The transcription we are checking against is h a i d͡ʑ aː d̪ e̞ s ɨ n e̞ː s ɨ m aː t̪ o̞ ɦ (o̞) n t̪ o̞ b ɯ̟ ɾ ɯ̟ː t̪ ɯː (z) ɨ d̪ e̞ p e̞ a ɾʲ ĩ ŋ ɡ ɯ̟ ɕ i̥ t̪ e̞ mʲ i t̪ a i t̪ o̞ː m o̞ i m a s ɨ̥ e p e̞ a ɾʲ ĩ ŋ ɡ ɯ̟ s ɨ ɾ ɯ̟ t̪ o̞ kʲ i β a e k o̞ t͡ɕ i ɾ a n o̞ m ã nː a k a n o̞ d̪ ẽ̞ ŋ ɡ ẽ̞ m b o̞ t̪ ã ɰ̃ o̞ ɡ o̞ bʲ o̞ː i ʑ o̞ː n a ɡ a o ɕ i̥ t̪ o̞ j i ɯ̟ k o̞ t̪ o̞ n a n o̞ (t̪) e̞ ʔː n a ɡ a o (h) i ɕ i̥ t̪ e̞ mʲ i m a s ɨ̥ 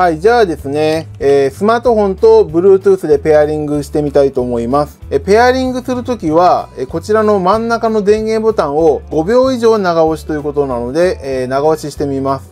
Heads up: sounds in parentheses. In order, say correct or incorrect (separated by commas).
incorrect, incorrect, incorrect, incorrect